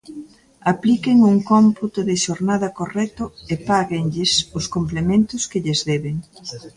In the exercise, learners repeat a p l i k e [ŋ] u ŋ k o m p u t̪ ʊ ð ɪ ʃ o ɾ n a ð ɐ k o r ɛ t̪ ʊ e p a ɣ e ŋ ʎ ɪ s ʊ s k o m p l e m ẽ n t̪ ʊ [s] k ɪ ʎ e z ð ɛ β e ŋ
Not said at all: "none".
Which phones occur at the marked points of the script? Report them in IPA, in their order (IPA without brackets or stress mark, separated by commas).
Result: ŋ, s